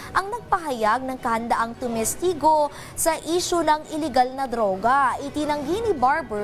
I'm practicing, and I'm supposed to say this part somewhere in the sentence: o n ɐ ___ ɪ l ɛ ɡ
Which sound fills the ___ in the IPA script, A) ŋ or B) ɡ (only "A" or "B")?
A